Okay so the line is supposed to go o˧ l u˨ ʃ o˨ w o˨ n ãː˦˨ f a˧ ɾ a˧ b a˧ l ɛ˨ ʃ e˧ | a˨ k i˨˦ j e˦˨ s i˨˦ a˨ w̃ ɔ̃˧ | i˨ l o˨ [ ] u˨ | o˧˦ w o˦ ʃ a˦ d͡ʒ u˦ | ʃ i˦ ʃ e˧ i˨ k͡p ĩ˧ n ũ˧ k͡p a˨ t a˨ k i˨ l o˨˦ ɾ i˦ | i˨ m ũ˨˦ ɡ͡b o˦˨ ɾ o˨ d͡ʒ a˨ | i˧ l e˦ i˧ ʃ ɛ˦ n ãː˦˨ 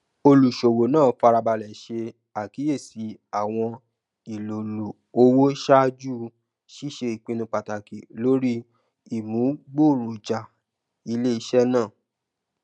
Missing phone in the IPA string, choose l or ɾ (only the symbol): l